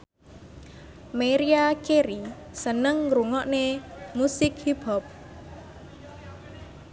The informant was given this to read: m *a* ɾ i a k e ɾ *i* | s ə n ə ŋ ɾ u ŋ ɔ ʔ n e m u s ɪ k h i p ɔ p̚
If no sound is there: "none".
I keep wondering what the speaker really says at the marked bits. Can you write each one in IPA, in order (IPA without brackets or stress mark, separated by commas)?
e, i